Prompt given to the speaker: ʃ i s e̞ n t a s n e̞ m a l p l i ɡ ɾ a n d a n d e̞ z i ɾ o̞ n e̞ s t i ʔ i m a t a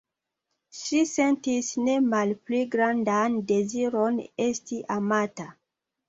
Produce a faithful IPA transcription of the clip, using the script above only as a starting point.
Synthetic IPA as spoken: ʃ i s e̞ n t i s n e̞ m a l p l i ɡ ɾ a n d a n d e̞ z i ɾ o̞ n e̞ s t i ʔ a m a t a